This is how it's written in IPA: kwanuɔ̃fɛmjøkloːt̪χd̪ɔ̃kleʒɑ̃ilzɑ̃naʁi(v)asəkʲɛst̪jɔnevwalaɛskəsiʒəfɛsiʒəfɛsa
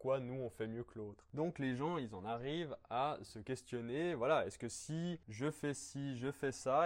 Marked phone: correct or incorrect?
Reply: correct